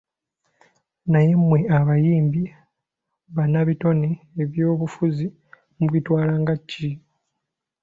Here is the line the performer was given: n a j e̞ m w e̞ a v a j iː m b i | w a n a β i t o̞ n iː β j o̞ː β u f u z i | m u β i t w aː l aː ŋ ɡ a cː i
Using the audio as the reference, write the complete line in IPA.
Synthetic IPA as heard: n a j e̞ m w e̞ a β a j iː m b i | β a n a β i t o̞ n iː β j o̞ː β u f u z i | m u β i t w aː l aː ŋ ɡ a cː i